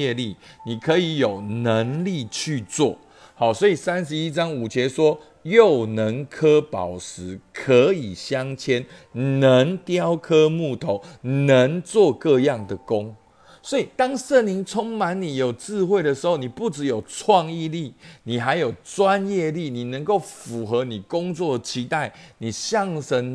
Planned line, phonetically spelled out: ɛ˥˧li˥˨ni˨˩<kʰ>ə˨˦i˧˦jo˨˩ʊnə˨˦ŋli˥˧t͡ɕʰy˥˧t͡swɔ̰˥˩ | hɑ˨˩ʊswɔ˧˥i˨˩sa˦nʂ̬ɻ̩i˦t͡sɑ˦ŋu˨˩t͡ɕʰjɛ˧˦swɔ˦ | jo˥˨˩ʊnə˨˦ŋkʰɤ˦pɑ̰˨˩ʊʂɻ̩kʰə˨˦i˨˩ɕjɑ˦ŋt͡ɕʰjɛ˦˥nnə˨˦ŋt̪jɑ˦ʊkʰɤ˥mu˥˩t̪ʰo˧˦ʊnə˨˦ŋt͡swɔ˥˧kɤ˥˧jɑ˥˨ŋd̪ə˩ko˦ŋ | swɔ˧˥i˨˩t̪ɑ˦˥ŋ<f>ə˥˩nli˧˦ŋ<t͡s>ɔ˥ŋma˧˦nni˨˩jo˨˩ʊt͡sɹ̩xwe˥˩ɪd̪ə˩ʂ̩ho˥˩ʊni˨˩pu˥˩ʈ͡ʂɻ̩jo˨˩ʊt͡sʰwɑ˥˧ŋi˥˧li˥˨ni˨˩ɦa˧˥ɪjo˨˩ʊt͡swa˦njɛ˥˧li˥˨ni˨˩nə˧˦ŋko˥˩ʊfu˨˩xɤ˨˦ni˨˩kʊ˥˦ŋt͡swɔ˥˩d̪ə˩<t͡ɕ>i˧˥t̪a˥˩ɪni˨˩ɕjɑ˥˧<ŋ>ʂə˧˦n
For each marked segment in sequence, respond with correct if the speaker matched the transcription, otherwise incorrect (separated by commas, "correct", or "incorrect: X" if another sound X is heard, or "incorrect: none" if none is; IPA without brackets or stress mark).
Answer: correct, incorrect: ʂ, incorrect: t͡sʰ, incorrect: t͡ɕʰ, correct